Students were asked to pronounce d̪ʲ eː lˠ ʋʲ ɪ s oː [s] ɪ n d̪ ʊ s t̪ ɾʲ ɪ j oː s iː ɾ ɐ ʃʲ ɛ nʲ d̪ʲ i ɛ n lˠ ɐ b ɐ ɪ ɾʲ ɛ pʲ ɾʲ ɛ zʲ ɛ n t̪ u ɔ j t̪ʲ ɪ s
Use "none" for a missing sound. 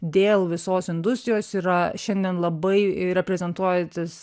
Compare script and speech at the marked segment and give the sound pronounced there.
s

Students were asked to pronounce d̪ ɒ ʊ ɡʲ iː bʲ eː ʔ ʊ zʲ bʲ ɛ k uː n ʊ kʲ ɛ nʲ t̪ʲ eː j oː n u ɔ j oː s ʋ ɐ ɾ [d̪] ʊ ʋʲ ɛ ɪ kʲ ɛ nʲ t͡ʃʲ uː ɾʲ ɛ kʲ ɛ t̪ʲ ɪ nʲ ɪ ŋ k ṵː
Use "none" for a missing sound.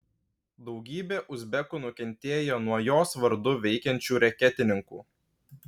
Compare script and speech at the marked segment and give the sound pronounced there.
d̪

